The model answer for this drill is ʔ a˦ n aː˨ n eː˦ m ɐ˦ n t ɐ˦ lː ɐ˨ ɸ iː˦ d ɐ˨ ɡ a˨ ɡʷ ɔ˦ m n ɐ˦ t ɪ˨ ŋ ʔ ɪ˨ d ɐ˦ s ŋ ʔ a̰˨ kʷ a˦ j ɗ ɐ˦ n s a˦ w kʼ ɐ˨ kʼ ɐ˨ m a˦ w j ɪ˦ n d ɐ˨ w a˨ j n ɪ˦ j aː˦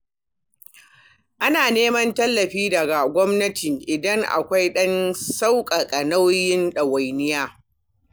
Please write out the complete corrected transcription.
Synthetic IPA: ʔ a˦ n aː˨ n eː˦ m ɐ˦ n t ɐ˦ lː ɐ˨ ɸ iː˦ d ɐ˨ ɡ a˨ ɡʷ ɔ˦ m n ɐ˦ t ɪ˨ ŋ ʔ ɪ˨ d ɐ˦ ŋ ʔ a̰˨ kʷ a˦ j ɗ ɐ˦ n s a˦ w kʼ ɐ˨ kʼ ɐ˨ n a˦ w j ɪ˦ n ɗ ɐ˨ w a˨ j n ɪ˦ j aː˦